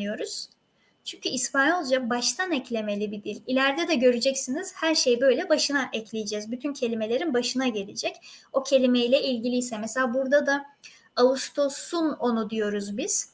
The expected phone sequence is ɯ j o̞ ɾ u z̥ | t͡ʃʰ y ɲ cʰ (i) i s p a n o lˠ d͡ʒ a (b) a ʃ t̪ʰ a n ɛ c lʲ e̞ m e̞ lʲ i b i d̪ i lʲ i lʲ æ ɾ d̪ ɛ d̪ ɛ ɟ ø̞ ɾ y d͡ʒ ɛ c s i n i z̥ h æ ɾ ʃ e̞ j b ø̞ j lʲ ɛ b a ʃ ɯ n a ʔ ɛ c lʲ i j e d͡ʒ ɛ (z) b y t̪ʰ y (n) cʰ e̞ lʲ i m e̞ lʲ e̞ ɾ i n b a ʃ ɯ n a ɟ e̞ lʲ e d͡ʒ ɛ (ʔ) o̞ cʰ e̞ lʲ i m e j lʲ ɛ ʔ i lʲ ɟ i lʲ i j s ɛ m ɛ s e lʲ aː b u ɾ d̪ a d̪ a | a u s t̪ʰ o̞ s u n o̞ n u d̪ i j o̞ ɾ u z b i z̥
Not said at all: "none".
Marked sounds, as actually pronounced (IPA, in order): y, b, z, n, c

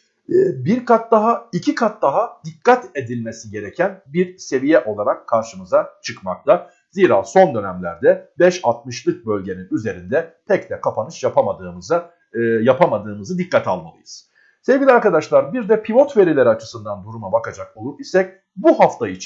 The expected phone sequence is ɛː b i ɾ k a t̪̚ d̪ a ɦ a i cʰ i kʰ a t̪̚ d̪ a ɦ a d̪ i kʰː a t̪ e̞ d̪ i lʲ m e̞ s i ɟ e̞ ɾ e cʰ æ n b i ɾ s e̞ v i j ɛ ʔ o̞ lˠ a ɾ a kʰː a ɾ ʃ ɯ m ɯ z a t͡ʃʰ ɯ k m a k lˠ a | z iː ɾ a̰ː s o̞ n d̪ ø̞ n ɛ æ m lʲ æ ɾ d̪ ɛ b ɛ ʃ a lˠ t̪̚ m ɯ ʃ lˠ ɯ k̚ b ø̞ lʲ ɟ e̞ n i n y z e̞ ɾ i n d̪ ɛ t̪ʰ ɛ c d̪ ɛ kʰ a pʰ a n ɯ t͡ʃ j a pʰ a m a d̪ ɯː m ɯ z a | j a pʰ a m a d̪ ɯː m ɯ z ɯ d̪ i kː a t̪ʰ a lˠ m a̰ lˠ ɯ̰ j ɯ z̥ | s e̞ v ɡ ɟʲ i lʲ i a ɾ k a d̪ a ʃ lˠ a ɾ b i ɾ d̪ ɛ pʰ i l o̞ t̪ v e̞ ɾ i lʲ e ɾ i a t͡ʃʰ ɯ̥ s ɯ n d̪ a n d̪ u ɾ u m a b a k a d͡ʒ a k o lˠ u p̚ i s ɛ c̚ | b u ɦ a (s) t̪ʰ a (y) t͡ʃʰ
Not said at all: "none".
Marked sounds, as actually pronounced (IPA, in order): f, i

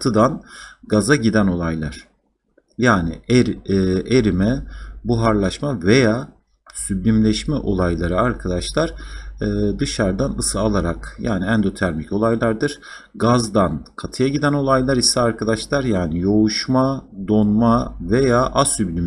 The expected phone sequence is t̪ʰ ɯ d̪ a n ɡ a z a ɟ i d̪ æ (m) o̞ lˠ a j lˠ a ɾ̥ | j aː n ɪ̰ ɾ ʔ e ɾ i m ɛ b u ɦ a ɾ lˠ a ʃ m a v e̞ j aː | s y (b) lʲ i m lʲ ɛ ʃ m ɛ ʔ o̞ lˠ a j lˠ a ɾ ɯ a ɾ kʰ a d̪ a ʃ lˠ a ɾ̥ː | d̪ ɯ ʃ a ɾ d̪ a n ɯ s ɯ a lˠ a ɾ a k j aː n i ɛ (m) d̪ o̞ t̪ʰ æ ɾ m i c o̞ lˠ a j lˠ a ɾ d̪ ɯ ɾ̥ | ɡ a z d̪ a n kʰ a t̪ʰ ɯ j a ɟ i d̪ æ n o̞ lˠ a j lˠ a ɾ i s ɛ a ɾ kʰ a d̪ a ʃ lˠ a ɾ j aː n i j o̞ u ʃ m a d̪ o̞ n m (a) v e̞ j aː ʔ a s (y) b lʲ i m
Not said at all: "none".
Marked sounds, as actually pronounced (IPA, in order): n, b, n, a, y

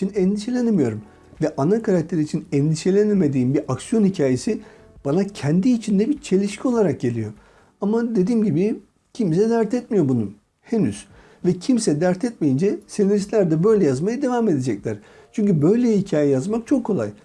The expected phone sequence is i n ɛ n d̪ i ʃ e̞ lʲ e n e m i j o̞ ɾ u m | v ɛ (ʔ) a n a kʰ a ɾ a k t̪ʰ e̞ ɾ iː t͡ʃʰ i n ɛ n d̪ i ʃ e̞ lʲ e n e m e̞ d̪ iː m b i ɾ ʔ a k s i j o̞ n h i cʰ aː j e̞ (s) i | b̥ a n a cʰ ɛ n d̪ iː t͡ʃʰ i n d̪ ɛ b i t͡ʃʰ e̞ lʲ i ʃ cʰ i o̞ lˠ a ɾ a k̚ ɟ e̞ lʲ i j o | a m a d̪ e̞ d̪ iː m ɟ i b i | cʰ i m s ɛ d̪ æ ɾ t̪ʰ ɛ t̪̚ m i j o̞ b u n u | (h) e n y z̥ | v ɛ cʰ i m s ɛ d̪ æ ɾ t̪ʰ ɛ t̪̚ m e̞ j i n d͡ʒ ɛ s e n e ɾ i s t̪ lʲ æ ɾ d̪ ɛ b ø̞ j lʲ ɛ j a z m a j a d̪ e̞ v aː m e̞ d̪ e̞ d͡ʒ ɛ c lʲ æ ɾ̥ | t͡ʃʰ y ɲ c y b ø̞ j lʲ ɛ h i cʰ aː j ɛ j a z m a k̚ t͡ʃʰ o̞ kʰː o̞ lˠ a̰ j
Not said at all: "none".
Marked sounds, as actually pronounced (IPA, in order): ʔ, s, h

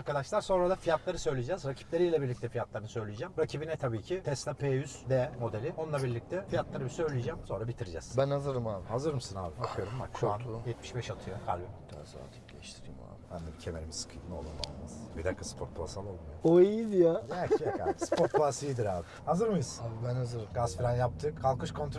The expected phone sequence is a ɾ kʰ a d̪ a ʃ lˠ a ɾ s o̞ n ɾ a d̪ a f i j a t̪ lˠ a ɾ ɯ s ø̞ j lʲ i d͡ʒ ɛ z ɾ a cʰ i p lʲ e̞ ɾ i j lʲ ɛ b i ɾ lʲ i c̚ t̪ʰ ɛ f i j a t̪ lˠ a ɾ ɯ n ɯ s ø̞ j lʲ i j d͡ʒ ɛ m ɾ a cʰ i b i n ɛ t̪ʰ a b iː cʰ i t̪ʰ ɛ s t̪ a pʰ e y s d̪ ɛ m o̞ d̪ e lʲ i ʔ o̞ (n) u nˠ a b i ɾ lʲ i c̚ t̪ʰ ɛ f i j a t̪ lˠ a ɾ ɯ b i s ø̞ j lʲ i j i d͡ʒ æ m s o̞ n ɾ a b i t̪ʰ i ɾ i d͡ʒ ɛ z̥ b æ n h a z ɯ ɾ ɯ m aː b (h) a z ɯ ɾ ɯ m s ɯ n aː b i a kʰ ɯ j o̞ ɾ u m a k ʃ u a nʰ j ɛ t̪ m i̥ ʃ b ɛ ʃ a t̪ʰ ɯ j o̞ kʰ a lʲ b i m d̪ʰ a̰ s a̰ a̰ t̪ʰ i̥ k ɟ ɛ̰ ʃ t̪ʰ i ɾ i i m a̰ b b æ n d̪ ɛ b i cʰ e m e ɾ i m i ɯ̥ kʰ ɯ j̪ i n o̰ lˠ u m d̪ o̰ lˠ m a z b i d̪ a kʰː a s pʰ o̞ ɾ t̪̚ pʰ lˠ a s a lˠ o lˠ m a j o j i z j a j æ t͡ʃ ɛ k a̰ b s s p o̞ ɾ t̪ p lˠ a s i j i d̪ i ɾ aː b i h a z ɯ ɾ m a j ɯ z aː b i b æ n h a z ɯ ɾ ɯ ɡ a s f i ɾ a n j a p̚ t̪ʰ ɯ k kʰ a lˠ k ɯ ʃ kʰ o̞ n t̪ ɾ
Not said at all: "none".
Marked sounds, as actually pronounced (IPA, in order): n, h

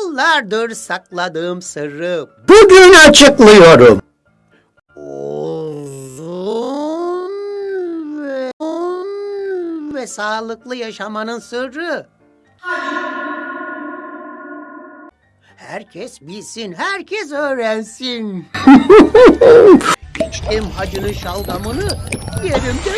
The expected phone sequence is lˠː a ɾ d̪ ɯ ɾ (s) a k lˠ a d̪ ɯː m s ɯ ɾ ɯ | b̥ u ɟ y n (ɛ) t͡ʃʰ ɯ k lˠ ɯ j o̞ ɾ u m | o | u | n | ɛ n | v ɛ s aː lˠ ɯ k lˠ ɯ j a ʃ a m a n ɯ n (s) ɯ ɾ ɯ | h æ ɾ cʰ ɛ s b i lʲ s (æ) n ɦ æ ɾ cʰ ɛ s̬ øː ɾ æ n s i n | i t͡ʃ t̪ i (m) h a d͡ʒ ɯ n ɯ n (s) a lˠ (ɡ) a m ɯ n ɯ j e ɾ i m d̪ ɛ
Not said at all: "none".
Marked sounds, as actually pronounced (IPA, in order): s, a, s, i, m, ʃ, ɡ

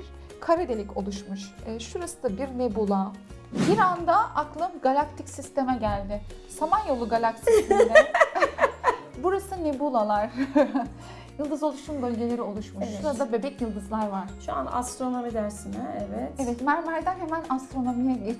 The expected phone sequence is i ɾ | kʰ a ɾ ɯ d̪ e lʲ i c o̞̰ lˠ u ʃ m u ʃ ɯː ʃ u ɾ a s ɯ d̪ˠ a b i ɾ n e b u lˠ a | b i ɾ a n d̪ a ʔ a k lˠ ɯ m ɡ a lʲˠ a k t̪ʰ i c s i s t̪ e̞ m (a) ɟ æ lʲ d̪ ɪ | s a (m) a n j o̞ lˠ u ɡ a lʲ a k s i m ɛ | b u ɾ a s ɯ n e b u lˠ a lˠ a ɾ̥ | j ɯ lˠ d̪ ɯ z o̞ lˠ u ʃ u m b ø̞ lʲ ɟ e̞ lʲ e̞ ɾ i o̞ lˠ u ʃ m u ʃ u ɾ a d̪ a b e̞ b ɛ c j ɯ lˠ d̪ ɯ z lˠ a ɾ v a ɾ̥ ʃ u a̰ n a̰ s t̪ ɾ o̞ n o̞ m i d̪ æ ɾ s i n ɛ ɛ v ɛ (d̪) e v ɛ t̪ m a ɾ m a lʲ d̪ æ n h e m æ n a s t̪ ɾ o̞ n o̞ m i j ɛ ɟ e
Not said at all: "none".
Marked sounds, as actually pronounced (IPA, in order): ɛ, m, t̪

